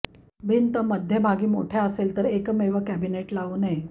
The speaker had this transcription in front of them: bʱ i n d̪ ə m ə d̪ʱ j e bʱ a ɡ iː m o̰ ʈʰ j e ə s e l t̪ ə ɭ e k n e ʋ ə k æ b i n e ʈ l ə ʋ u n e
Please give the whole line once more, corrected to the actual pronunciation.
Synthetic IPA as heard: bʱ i n t̪ ə m ə d̪ʱ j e bʱ a ɡ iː m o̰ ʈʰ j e ə s e l t̪ ə ɾ e k m e ʋ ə k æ b i n e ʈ l a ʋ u n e